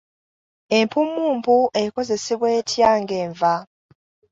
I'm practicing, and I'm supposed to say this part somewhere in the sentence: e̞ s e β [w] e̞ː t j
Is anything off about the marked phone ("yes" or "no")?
no